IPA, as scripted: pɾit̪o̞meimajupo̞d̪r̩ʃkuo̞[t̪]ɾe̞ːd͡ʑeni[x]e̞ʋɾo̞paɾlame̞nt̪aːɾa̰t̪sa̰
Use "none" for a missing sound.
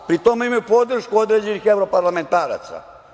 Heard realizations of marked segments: d̪, x

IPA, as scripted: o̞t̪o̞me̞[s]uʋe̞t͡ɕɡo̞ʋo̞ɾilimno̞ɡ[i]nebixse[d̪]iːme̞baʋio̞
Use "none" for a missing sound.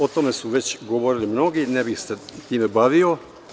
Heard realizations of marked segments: s, i, t̪

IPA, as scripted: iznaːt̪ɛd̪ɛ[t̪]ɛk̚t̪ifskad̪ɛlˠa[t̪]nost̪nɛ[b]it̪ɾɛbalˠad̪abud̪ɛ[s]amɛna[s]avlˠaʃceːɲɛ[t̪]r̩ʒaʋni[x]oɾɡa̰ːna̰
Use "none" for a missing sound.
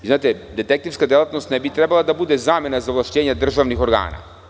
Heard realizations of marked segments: t̪, t̪, b, z, z, d̪, x

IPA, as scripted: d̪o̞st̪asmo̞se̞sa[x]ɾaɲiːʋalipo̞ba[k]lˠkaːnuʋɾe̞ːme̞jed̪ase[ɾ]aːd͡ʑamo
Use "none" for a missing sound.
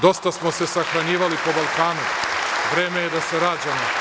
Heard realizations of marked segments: x, none, ɾ

